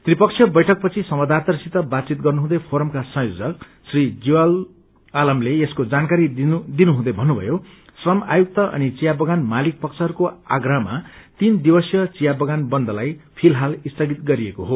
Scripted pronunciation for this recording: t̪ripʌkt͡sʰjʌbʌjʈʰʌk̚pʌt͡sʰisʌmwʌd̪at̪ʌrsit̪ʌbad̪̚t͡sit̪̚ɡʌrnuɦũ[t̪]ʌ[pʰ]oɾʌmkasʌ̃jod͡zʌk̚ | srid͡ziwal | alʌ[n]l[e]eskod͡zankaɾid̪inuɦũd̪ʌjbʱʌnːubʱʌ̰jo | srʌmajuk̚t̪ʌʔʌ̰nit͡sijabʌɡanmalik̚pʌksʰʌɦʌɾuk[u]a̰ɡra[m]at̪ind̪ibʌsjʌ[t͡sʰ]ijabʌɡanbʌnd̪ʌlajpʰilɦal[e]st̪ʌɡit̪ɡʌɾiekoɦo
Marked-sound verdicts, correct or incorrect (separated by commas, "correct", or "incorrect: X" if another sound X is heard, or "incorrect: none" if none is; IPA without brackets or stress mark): incorrect: d̪, correct, incorrect: m, correct, incorrect: o, correct, incorrect: t͡s, incorrect: i